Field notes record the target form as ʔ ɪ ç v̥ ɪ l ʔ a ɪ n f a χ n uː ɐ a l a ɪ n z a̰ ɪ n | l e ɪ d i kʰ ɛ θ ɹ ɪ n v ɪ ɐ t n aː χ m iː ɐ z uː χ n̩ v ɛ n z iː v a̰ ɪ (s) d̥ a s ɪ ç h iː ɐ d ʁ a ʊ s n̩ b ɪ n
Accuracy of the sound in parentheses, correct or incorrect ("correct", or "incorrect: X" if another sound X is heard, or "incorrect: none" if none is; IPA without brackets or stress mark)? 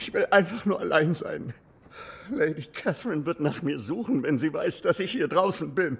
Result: correct